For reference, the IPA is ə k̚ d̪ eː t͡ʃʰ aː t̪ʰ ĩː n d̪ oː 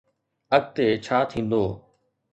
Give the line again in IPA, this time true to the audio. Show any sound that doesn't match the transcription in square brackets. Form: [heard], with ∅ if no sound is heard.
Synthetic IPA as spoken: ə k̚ [t̪] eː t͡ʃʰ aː t̪ʰ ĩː n d̪ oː